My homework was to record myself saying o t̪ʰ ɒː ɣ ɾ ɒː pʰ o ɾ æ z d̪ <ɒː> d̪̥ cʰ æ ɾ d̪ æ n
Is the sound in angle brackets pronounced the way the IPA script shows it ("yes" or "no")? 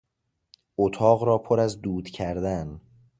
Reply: no